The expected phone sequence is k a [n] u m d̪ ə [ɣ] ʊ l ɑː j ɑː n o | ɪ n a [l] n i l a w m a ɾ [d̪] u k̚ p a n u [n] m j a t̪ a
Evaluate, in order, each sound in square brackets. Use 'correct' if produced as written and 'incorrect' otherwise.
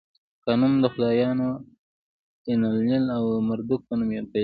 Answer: correct, incorrect, correct, correct, incorrect

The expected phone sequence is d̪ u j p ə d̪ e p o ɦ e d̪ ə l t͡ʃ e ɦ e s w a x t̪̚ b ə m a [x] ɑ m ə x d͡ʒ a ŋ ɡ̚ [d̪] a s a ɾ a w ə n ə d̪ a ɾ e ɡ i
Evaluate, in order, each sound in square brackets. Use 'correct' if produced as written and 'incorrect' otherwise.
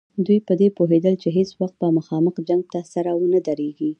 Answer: correct, incorrect

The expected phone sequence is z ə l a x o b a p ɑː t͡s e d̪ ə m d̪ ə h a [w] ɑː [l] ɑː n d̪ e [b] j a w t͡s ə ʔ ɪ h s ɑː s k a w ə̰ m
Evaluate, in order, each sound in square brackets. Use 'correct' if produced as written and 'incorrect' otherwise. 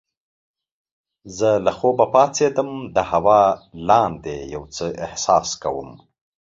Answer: correct, correct, incorrect

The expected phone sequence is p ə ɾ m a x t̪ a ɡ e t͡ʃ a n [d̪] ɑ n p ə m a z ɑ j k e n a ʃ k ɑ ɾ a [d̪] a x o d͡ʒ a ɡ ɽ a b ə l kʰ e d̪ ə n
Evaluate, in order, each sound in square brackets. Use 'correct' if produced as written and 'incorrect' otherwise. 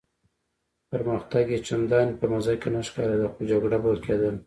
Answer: correct, correct

